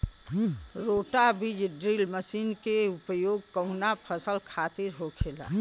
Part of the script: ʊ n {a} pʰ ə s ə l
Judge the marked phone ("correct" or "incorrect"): correct